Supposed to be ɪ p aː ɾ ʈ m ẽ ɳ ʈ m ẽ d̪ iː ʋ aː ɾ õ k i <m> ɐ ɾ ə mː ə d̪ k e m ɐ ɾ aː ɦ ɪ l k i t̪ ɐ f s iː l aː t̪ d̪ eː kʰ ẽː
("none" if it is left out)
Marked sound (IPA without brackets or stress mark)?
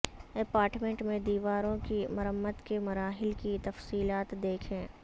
m